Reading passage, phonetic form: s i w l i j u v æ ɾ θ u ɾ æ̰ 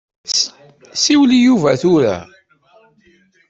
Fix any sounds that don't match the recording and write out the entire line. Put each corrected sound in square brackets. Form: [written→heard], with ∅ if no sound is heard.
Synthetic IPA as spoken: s i w l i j u v æ [ɾ→∅] θ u ɾ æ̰